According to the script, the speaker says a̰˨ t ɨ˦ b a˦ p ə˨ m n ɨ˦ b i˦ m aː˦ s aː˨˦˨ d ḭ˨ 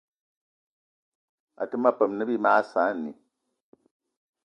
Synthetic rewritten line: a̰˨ t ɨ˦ m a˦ p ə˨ m n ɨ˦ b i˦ m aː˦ s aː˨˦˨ n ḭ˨